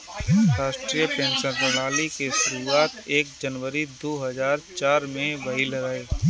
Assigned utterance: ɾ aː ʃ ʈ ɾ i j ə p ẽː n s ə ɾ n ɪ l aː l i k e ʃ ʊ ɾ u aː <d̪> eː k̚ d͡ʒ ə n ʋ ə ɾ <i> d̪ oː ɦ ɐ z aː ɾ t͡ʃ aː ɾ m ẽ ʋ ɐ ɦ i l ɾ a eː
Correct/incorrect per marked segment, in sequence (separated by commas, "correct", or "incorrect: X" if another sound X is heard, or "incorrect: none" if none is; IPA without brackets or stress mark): incorrect: t̪, correct